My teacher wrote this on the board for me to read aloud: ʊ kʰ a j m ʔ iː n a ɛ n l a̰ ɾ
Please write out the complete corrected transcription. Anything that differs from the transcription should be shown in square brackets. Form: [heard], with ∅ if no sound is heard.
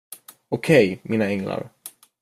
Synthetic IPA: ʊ kʰ [ɛ] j m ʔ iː n a ɛ [ŋ] l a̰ ɾ